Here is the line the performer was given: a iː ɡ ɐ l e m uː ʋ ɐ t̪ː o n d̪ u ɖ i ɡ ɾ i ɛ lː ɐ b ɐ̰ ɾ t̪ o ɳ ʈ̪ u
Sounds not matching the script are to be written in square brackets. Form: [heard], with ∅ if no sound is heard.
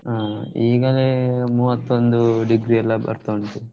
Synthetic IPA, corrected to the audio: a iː ɡ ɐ l e m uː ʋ ɐ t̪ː o n d̪ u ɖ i ɡ ɾ i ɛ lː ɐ b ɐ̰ ɾ t̪ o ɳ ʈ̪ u